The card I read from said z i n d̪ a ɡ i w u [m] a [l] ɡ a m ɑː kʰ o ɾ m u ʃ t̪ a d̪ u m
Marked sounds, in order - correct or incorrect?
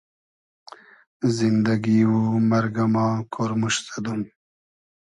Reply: correct, incorrect: ɾ

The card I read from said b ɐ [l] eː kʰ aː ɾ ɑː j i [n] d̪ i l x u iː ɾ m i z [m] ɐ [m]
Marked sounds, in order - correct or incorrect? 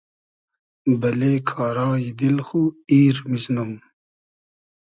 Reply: correct, incorrect: none, incorrect: n, correct

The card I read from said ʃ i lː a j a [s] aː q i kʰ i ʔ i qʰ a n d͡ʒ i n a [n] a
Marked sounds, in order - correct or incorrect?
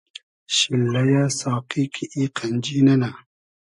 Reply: correct, correct

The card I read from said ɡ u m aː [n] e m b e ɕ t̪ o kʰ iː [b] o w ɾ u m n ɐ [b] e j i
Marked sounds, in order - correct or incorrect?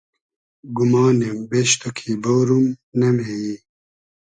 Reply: correct, correct, incorrect: m

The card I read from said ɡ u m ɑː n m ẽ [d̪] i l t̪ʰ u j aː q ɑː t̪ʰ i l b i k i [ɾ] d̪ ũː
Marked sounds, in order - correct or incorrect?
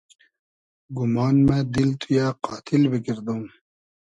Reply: correct, correct

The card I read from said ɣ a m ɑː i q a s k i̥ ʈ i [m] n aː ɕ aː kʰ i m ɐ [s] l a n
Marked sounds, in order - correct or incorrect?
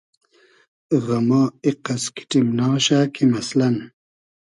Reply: correct, correct

